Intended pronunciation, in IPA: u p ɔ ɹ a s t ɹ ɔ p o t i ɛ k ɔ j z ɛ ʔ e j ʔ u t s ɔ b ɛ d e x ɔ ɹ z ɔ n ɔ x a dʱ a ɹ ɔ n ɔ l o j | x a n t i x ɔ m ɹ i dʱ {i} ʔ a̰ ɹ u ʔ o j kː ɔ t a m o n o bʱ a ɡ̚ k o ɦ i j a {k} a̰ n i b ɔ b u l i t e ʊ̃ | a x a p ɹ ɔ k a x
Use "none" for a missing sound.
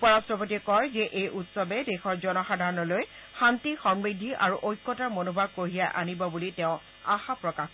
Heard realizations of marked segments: i, ʔ

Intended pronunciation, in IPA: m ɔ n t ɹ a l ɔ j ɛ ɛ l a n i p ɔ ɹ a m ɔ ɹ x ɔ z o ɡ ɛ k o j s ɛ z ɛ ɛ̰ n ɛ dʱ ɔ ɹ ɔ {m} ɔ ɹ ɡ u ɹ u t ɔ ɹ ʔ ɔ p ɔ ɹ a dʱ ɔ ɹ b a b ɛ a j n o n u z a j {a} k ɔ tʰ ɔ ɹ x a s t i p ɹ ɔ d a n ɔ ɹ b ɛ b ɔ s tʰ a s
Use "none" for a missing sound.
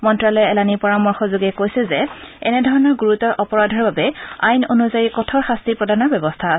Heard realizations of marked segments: n, i

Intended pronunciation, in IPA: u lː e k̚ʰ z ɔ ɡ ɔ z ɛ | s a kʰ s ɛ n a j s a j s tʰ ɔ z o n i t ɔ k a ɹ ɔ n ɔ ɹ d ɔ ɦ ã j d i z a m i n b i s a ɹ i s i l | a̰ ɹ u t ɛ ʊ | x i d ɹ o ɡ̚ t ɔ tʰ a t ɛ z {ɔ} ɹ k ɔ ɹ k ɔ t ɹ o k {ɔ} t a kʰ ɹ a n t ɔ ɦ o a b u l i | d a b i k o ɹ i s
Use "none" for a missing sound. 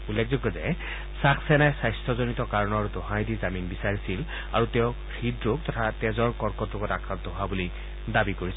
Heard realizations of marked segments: ɔ, ɔ

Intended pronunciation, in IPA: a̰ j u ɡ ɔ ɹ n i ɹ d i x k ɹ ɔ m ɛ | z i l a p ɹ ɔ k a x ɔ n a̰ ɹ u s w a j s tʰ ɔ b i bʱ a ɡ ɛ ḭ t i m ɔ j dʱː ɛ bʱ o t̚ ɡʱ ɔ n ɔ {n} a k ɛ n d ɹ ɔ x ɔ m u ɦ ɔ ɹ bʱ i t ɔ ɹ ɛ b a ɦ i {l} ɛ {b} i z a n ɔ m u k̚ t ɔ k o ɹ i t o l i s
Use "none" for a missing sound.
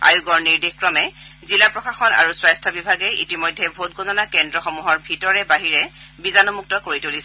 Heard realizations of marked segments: n, ɹ, b

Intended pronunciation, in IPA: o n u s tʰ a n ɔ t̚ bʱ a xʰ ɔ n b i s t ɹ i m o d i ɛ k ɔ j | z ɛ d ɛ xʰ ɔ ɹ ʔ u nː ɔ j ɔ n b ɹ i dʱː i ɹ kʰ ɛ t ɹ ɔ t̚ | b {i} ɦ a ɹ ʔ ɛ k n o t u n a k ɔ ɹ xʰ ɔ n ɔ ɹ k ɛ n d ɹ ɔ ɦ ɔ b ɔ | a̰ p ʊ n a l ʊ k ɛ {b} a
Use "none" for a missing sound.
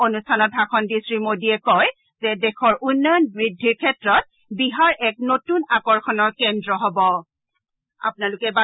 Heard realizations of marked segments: i, b

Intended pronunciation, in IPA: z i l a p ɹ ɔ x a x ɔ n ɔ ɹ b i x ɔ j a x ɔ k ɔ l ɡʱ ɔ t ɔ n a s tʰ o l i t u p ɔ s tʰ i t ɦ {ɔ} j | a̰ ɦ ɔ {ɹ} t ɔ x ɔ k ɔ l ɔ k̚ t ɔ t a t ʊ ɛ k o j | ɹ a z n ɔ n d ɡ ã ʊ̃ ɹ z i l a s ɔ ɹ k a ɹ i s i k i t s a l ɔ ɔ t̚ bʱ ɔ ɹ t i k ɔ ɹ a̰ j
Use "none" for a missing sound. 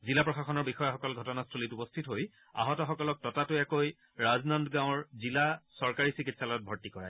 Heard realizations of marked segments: o, none

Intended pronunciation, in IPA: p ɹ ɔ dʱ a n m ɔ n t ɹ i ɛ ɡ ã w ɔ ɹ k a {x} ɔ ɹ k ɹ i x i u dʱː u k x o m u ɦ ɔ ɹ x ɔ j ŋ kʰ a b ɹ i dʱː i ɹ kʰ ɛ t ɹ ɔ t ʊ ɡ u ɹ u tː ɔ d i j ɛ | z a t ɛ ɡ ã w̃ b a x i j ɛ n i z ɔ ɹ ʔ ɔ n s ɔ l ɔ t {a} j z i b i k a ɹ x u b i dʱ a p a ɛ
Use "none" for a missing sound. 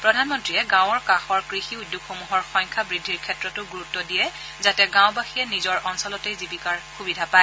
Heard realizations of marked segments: x, e

